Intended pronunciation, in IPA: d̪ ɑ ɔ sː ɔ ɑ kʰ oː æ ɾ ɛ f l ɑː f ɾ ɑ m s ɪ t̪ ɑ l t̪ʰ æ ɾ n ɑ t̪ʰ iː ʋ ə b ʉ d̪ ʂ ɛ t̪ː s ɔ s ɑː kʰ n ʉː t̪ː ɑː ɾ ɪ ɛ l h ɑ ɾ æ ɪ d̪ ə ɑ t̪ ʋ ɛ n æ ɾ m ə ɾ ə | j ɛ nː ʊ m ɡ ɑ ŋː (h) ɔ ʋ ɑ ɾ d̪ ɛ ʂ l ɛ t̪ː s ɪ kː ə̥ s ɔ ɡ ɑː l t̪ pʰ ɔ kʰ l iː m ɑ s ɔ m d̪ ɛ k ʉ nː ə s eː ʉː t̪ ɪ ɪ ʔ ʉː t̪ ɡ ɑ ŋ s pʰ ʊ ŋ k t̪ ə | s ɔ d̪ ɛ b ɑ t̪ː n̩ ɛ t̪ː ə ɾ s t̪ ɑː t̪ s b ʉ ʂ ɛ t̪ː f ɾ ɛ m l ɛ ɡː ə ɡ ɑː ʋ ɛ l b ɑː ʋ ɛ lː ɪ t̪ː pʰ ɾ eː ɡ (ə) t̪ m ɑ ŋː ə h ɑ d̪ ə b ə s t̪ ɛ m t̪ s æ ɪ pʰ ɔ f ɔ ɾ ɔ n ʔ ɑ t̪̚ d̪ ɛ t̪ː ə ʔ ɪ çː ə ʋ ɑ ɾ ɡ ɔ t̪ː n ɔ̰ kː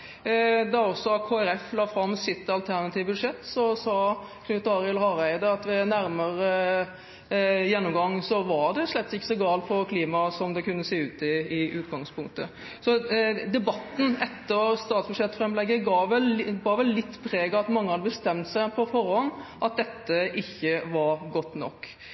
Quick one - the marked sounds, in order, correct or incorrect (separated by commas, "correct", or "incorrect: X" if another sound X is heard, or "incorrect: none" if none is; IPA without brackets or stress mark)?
incorrect: s, incorrect: ɑ